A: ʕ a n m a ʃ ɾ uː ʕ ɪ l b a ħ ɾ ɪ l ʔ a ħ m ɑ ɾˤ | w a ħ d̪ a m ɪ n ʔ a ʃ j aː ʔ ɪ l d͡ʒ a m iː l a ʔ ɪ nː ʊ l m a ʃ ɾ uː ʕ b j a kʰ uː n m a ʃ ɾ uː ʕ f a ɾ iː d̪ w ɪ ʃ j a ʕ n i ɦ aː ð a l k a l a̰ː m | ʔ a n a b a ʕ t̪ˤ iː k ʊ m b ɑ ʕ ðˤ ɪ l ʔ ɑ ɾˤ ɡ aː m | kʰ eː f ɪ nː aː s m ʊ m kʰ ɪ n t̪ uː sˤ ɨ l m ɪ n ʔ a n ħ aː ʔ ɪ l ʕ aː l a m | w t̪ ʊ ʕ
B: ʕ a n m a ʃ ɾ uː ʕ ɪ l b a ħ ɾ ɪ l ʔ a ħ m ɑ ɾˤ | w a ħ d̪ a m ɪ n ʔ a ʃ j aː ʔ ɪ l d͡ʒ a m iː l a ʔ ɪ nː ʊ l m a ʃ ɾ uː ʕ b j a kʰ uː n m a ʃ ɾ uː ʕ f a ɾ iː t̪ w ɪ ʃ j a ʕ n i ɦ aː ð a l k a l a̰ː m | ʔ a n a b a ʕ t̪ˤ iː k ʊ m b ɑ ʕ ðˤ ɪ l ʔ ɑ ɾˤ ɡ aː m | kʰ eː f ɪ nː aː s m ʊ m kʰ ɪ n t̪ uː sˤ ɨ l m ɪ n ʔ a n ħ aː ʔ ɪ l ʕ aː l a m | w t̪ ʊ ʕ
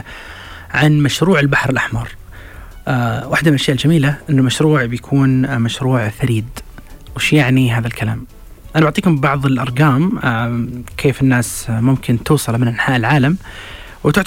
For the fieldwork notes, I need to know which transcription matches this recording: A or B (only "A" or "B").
A